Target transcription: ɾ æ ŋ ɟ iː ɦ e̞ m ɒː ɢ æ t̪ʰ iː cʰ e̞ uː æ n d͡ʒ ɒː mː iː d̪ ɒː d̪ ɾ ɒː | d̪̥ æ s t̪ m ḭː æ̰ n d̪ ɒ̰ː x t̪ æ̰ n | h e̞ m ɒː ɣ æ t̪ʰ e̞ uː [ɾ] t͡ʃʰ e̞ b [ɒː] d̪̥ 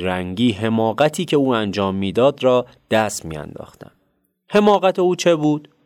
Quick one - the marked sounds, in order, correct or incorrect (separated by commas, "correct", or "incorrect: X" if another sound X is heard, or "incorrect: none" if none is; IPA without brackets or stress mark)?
incorrect: none, incorrect: uː